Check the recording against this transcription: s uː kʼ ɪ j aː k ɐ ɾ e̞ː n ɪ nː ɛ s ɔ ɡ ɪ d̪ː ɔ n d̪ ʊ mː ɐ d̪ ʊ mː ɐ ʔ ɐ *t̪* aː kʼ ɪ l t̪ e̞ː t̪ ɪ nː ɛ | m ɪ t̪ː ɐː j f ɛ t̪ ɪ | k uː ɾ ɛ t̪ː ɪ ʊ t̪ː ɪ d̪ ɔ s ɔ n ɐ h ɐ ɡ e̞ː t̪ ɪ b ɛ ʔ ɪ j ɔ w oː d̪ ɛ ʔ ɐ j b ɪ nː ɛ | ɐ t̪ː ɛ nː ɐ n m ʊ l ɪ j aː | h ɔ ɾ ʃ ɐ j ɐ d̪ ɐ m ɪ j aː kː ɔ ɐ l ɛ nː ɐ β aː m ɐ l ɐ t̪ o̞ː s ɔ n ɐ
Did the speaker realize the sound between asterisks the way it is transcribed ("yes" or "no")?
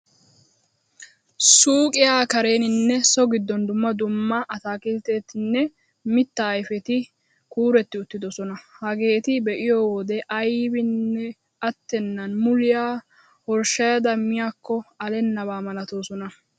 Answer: yes